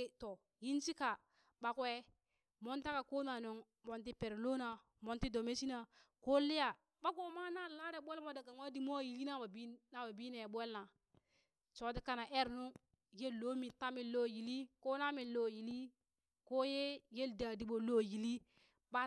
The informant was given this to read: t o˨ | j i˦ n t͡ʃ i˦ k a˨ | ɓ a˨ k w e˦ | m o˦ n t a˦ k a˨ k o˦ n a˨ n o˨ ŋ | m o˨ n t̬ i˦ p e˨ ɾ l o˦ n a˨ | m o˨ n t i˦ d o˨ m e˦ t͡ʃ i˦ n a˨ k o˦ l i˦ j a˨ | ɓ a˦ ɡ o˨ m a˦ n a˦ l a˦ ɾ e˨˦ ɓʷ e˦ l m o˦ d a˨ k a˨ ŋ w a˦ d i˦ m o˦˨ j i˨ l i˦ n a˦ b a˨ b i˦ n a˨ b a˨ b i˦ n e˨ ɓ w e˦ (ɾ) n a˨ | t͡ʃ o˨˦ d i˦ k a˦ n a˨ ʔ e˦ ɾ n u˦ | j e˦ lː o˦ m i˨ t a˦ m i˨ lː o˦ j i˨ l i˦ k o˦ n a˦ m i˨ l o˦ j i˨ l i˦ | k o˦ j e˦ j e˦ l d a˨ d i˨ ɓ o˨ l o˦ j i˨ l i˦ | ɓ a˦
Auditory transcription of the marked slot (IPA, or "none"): l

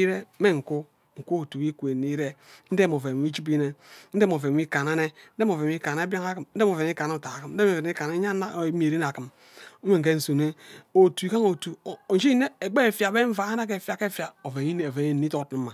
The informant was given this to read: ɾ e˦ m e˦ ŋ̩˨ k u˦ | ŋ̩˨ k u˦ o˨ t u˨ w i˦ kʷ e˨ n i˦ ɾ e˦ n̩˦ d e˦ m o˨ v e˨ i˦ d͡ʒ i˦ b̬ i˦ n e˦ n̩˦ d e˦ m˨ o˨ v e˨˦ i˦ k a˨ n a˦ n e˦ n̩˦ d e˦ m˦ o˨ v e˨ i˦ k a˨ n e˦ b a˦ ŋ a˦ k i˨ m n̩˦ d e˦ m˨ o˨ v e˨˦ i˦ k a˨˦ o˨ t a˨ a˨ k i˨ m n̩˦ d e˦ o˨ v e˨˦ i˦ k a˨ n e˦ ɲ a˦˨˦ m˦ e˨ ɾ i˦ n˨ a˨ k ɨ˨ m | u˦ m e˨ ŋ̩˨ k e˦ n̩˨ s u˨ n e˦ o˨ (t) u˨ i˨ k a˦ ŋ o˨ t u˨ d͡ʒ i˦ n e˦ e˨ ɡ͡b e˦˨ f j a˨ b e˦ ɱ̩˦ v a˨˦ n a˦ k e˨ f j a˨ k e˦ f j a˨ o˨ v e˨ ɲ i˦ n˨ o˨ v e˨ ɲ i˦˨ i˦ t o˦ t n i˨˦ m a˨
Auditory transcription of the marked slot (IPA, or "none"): t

